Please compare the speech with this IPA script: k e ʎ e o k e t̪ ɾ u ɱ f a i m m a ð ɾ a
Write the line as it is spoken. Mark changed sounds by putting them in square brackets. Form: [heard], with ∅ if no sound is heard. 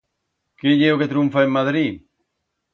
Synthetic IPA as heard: k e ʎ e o k e t̪ ɾ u ɱ f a [e] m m a ð ɾ [i]